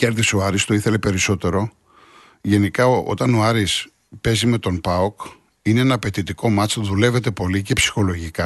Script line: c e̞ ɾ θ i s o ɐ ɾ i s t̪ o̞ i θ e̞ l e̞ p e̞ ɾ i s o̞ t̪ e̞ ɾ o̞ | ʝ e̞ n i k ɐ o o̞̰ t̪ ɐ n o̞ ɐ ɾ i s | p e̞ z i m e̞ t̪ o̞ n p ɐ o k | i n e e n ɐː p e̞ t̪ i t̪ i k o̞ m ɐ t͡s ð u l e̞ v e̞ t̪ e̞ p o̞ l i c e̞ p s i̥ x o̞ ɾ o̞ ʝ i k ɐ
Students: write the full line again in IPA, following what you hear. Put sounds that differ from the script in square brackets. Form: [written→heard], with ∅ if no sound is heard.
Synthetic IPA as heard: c e̞ ɾ [θ→ð] i s o ɐ ɾ i s t̪ o̞ i θ e̞ l e̞ p e̞ ɾ i s o̞ t̪ e̞ ɾ o̞ | ʝ e̞ n i k ɐ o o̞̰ t̪ ɐ n o̞ ɐ ɾ i s | p e̞ z i m e̞ t̪ o̞ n p ɐ o k | i n e e n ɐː p e̞ t̪ i t̪ i k o̞ m ɐ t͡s ð u l e̞ v e̞ t̪ e̞ p o̞ l i c e̞ p s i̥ x o̞ [ɾ→l] o̞ ʝ i k ɐ